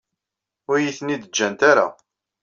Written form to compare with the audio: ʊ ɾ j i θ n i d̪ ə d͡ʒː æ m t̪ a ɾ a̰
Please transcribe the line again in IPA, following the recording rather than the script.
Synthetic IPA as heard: ʊ ɾ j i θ n i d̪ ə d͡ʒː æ n t̪ a ɾ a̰